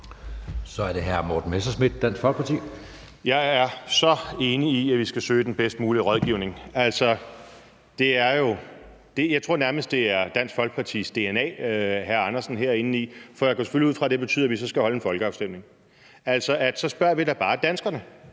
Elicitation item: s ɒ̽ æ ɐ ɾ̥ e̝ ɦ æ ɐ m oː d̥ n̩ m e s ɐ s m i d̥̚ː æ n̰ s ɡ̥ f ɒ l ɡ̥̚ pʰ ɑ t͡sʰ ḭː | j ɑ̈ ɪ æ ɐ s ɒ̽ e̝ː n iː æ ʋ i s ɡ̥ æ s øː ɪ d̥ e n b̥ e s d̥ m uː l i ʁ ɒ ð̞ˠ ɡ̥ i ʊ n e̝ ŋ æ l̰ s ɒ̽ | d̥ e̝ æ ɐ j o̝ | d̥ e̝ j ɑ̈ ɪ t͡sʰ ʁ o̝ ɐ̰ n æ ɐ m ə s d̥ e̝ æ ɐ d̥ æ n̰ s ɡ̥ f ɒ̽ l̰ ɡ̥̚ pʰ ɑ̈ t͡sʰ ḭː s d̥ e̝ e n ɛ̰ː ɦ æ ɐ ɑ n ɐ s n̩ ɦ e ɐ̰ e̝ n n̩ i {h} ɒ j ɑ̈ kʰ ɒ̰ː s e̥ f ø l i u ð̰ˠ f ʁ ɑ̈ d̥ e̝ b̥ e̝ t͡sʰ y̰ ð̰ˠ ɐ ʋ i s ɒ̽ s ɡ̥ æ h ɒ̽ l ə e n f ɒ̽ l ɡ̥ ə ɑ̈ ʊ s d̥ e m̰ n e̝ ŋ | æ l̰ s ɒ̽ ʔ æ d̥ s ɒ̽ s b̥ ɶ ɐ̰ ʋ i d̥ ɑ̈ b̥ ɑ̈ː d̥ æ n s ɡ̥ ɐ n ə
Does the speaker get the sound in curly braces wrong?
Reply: yes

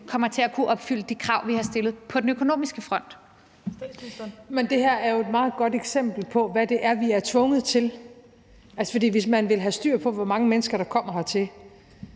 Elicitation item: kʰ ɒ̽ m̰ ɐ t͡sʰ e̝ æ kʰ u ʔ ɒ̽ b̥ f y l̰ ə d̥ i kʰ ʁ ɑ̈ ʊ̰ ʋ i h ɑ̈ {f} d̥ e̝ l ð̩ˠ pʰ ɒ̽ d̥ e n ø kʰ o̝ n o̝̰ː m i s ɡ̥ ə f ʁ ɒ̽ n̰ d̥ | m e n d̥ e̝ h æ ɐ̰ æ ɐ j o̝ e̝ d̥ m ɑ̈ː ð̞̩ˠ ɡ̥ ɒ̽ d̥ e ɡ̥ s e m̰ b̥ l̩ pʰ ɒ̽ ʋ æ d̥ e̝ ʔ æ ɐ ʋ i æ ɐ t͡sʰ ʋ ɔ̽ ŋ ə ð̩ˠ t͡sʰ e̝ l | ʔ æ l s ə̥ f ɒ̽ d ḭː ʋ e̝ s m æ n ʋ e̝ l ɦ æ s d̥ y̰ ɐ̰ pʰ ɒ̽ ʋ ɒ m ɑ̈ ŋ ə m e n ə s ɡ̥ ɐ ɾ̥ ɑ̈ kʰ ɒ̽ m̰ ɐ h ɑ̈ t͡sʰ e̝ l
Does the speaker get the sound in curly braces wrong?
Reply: yes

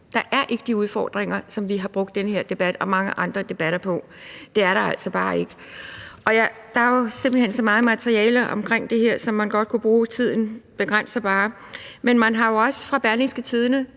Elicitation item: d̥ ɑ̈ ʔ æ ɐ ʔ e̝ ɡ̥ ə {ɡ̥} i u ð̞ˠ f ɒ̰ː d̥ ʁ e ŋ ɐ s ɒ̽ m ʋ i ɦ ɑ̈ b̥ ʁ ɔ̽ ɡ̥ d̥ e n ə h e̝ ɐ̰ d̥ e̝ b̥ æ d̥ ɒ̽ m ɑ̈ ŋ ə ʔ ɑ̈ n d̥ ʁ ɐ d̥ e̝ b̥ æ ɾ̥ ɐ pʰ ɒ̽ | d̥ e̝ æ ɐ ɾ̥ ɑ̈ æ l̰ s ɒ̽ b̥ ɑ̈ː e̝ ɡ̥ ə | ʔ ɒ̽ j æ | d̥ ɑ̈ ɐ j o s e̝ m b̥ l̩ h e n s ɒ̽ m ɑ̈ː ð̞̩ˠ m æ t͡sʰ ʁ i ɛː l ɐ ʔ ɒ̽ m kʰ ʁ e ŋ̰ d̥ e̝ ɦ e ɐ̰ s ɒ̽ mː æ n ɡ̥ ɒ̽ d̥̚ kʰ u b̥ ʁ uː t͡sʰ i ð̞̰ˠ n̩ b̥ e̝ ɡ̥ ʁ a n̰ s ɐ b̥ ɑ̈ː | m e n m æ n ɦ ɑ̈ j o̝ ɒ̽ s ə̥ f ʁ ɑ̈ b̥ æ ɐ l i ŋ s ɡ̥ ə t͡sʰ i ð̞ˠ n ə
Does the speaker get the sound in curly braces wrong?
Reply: yes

